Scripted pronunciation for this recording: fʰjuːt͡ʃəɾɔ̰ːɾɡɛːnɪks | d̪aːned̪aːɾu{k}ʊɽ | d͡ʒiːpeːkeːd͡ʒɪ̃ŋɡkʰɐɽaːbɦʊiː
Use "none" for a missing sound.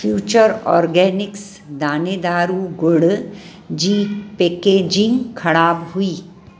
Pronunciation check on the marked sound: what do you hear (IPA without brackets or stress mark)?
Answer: ɡ